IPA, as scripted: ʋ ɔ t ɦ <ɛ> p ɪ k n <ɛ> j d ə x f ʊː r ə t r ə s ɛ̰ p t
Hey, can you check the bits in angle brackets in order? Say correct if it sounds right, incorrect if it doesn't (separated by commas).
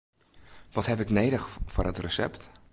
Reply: correct, incorrect